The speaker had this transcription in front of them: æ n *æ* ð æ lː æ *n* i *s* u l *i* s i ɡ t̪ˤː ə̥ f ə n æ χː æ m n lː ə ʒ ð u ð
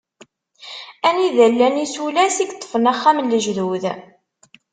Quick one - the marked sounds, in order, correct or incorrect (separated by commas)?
incorrect, correct, correct, incorrect